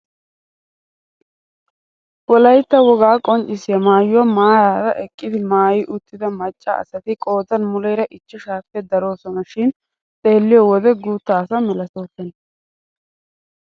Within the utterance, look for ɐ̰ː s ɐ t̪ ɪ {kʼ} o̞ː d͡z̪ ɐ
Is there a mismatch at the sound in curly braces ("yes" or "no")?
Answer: no